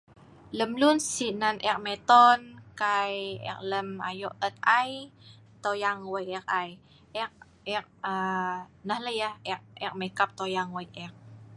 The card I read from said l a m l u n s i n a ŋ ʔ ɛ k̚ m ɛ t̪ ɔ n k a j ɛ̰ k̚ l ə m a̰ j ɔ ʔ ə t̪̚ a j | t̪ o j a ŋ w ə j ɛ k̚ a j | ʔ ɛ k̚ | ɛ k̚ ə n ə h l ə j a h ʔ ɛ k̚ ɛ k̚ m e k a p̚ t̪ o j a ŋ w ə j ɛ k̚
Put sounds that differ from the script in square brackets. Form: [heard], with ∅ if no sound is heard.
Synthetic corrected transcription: l [ə] m l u n s i n a [n] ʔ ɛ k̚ m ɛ t̪ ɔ n k a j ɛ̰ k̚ l ə m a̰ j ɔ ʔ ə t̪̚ a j | t̪ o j a ŋ w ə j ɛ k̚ a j | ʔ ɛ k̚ | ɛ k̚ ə n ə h l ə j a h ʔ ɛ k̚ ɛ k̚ m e k a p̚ t̪ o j a ŋ w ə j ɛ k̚